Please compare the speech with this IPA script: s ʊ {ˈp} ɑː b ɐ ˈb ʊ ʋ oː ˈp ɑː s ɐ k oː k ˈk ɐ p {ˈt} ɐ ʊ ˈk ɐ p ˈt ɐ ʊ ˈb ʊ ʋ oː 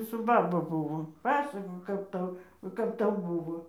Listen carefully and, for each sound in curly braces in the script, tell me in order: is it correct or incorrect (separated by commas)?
incorrect, correct